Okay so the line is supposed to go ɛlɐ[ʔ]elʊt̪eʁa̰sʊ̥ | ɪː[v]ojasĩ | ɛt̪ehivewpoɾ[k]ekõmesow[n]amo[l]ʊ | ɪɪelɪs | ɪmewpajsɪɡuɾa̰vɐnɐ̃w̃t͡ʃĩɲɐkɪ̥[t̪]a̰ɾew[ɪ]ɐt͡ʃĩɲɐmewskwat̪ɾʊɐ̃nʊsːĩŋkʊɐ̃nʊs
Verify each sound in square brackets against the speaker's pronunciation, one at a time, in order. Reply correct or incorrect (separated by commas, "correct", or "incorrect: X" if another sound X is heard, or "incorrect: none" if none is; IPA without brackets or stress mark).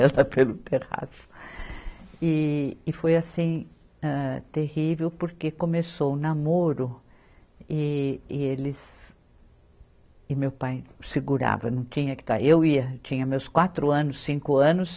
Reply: incorrect: p, incorrect: f, correct, correct, incorrect: ɾ, correct, incorrect: i